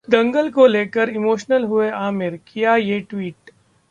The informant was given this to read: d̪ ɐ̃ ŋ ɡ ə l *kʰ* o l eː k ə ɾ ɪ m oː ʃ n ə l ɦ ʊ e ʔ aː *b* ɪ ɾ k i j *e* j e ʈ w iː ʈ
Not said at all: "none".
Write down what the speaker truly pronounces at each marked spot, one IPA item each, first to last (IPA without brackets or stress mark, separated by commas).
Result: k, m, a